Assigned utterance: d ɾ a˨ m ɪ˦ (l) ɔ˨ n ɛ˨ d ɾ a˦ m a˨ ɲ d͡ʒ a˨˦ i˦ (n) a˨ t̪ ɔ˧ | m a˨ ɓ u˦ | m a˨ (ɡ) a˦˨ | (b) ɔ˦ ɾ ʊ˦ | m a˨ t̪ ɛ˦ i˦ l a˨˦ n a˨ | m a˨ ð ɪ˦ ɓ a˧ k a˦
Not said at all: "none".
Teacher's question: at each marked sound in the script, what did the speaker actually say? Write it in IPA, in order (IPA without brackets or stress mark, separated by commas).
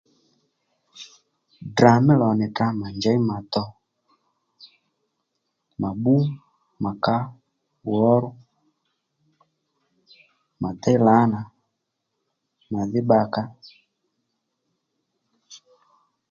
l, m, k, w